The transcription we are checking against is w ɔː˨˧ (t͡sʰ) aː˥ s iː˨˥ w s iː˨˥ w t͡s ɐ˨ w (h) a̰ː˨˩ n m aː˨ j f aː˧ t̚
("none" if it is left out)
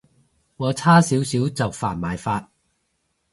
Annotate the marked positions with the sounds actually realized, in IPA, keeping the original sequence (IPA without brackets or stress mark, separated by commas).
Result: t͡sʰ, f